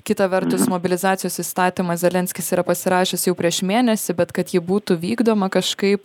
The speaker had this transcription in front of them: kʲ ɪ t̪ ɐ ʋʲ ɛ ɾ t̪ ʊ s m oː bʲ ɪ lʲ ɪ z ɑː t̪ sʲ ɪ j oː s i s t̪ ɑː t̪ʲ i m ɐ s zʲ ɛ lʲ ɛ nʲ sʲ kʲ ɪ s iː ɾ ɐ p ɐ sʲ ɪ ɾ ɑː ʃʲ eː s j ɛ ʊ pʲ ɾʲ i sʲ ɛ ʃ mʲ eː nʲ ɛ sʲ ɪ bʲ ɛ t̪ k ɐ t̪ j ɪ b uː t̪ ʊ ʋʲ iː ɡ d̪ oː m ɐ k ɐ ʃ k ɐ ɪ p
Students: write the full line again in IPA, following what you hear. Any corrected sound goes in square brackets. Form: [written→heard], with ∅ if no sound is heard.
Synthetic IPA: kʲ ɪ t̪ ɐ ʋʲ ɛ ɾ t̪ ʊ s m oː bʲ ɪ lʲ ɪ z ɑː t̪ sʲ ɪ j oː s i s t̪ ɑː t̪ʲ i m ɐ s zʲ ɛ lʲ ɛ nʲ sʲ kʲ ɪ s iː ɾ ɐ p ɐ sʲ ɪ ɾ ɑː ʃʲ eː s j ɛ ʊ pʲ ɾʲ i [sʲ→∅] ɛ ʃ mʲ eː nʲ ɛ sʲ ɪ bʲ ɛ t̪ k ɐ t̪ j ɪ b uː t̪ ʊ ʋʲ iː ɡ d̪ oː m ɐ k ɐ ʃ k ɐ ɪ p